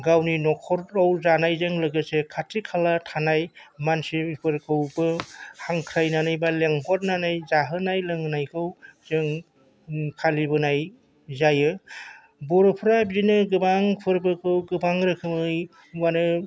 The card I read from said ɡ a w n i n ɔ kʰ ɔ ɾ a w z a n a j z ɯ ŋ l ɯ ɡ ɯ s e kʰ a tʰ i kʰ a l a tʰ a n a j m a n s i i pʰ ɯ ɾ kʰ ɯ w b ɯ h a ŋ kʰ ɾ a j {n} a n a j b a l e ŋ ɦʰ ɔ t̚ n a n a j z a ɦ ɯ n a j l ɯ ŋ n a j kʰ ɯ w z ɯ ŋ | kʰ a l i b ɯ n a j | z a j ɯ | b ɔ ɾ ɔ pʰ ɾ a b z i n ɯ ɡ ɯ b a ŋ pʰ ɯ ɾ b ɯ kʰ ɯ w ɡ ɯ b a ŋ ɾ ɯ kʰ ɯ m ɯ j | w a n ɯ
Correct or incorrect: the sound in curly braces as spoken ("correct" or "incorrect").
correct